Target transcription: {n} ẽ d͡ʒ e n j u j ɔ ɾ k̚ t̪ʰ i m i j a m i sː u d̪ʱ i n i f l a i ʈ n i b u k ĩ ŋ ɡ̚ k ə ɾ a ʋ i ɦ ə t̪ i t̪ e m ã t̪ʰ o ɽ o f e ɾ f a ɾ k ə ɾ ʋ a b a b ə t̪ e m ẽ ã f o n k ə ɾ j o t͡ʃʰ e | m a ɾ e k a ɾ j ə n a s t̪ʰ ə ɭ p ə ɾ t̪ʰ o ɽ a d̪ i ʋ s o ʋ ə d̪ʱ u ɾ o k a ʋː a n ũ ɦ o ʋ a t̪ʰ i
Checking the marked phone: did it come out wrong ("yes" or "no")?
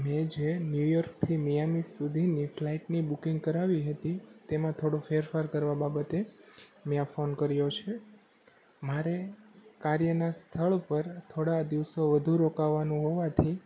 yes